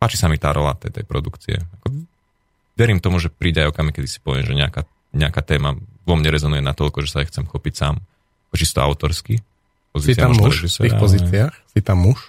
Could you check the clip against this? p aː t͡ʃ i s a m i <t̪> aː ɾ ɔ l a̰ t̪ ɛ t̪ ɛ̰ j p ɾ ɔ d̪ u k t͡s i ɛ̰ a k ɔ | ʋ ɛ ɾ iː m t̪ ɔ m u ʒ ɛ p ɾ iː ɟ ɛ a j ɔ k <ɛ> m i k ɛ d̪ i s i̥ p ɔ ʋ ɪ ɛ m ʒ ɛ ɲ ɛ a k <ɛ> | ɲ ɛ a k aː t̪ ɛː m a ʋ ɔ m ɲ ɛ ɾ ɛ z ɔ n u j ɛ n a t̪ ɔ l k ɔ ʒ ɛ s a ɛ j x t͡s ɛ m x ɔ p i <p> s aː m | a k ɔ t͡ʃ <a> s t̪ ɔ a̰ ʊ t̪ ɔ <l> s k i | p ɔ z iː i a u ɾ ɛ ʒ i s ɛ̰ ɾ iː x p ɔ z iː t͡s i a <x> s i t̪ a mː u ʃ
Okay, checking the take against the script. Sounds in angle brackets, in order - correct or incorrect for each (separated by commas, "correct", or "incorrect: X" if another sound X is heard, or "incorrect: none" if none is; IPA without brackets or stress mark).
correct, incorrect: a, incorrect: a, incorrect: c, incorrect: i, incorrect: ɾ, correct